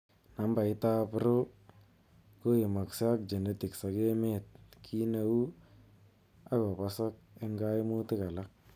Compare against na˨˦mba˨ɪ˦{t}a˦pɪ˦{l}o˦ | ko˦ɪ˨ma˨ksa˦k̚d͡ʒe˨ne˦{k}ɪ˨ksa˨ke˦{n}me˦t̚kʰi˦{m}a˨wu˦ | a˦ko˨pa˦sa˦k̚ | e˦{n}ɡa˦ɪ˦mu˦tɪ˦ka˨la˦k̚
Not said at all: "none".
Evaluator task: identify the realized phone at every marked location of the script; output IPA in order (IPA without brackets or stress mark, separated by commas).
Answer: t, ɾ, t, none, n, ŋ